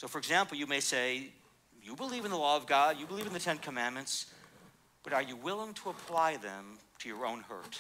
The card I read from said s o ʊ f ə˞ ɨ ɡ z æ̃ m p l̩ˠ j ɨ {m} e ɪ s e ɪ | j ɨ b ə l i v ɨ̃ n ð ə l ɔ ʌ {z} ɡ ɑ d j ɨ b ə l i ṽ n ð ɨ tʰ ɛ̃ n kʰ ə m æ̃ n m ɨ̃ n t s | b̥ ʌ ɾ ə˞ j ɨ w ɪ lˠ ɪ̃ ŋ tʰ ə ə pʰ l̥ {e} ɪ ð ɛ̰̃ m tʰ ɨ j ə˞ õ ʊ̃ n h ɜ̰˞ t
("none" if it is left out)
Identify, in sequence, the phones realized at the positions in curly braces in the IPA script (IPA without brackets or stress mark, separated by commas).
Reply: m, v, a